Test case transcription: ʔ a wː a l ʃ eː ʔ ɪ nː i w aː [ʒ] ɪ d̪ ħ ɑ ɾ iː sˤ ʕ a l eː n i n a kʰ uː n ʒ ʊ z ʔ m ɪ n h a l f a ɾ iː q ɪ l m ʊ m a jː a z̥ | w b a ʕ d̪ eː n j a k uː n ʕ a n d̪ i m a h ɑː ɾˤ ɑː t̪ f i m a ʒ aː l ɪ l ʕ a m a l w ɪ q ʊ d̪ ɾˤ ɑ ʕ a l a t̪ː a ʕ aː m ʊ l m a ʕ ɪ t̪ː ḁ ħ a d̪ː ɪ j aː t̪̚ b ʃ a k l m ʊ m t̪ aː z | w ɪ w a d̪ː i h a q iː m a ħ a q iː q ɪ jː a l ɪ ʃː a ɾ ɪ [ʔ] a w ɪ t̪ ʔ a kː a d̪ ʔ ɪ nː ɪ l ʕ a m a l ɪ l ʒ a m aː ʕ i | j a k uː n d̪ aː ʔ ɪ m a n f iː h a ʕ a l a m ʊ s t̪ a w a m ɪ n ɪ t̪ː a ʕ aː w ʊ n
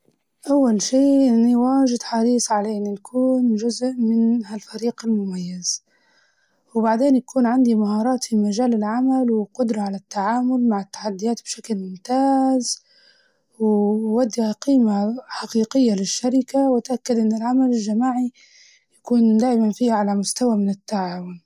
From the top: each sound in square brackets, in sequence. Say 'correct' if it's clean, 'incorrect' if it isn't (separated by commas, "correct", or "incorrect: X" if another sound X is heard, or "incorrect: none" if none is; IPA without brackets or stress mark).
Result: correct, incorrect: k